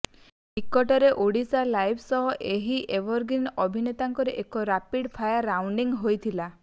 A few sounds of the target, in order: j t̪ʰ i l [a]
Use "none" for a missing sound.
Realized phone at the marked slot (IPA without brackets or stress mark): a